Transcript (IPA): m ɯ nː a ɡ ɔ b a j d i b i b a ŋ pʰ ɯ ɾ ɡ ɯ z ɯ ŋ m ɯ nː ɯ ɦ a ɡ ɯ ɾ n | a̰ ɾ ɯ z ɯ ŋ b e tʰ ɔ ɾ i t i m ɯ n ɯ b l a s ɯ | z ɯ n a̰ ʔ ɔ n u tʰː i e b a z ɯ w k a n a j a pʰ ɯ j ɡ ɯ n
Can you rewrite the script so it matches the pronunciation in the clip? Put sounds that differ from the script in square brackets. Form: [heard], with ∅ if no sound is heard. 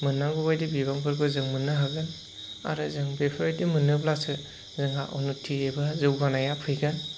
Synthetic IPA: m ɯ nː a ɡ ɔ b a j d i b i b a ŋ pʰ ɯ ɾ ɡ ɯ z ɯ ŋ m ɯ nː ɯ ɦ a ɡ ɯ [∅] n | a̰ ɾ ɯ z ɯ ŋ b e [pʰ] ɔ ɾ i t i m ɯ n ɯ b l a s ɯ | z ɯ [ŋ] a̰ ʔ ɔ n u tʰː i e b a z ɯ w [ɡ] a n a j a pʰ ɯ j ɡ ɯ n